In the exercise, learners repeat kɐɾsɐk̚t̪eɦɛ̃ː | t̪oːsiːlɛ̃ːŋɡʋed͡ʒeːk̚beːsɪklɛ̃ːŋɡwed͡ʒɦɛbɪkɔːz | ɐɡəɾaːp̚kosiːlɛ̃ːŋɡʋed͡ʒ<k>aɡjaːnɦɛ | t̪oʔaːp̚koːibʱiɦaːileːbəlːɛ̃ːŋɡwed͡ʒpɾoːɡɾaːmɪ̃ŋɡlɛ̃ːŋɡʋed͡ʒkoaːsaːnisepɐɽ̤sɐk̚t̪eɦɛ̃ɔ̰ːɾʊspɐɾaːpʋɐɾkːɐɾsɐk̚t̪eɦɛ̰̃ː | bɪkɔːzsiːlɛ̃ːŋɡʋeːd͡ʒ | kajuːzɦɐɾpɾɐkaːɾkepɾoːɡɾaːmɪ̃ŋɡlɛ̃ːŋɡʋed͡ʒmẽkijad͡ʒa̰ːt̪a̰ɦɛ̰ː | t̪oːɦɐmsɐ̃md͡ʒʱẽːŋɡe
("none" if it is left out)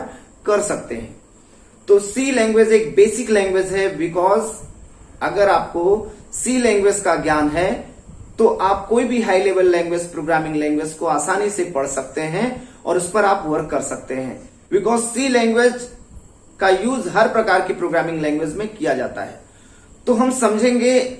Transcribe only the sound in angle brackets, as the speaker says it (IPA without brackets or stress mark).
k